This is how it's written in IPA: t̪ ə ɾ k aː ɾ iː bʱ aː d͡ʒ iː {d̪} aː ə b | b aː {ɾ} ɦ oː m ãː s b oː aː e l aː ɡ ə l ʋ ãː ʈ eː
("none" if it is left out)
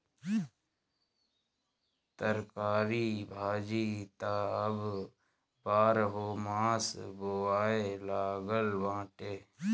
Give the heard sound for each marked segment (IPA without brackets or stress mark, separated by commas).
t̪, ɾ